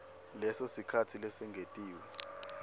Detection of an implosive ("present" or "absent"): absent